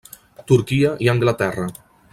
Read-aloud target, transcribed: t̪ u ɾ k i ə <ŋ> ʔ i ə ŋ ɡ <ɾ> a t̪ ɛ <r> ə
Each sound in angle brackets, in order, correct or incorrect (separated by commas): incorrect, incorrect, correct